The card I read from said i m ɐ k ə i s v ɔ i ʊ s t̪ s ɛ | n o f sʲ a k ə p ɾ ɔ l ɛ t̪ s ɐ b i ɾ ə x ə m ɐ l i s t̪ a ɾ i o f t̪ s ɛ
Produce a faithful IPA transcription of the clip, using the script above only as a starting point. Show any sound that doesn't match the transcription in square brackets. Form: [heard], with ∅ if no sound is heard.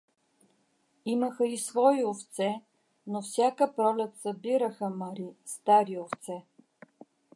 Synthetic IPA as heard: i m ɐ [x] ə i s v ɔ i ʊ [f] t̪ s ɛ | n o f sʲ a k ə p ɾ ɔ l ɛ t̪ s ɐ b i ɾ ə x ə m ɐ [ɾ] i s t̪ a ɾ i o f t̪ s ɛ

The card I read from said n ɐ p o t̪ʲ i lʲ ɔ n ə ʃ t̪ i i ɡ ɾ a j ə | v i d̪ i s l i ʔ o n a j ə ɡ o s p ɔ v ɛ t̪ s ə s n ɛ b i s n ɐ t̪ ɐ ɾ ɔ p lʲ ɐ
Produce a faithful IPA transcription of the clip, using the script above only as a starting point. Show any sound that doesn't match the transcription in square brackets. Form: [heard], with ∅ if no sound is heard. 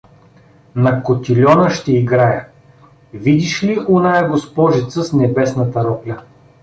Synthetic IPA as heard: n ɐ [k] o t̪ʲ i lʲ ɔ n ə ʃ t̪ [ɛ] i ɡ ɾ a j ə | v i d̪ i [ʃ] l i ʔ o n a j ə ɡ o s p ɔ [ʒ] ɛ t̪ s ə s n ɛ b [ɛ] s n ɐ t̪ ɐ ɾ ɔ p lʲ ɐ

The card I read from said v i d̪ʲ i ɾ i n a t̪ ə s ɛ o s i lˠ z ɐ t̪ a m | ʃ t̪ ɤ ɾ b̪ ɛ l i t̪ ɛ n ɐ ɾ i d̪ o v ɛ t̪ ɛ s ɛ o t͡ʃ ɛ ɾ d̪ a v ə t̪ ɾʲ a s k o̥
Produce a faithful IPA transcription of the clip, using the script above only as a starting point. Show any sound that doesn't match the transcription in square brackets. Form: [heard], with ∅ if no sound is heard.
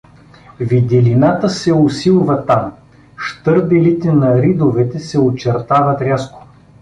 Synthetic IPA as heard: v i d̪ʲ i [l] i n a t̪ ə s ɛ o s i lˠ [v] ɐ t̪ a m | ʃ t̪ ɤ ɾ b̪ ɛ l i t̪ ɛ n ɐ ɾ i d̪ o v ɛ t̪ ɛ s ɛ o t͡ʃ ɛ ɾ [t̪] a v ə t̪ ɾʲ a s k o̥

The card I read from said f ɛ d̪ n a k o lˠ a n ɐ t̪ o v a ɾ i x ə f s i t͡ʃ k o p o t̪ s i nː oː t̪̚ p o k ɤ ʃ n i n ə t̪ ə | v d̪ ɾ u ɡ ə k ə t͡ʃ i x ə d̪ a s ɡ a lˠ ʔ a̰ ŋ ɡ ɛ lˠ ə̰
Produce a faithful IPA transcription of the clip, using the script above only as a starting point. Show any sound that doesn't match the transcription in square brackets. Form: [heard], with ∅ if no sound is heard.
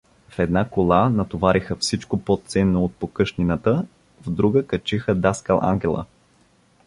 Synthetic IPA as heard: f ɛ d̪ n a k o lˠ a n ɐ t̪ o v a ɾ i x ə f s i t͡ʃ k o p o t̪ s [ɛ] nː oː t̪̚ p o k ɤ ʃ n i n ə t̪ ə | v d̪ ɾ u ɡ ə k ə t͡ʃ i x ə d̪ a s [k] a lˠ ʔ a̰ ŋ ɡ ɛ lˠ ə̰

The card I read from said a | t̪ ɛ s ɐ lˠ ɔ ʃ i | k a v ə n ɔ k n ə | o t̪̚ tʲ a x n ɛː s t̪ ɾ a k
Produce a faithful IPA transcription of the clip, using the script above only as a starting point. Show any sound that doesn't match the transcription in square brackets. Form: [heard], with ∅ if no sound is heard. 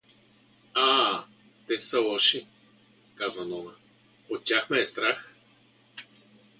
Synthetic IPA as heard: a | t̪ ɛ s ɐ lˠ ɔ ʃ i | k a [z] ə n ɔ [∅] n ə | o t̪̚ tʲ a x [m] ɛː s t̪ ɾ a [x]

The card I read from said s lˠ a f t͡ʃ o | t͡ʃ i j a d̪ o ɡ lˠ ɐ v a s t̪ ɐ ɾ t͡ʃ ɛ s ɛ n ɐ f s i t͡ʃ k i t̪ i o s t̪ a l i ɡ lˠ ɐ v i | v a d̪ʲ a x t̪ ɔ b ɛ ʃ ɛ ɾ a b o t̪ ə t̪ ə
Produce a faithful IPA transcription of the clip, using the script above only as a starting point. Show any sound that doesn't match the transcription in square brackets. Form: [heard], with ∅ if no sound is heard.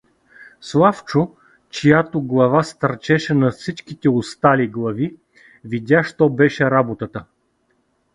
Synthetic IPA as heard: s lˠ a f t͡ʃ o | t͡ʃ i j a [t̪] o ɡ lˠ ɐ v a s t̪ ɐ ɾ t͡ʃ ɛ [ʃ] ɛ n ɐ f s i t͡ʃ k i t̪ [ɛ] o s t̪ a l i ɡ lˠ ɐ v i | v [i] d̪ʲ a [ʃ] t̪ ɔ b ɛ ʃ ɛ ɾ a b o t̪ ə t̪ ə

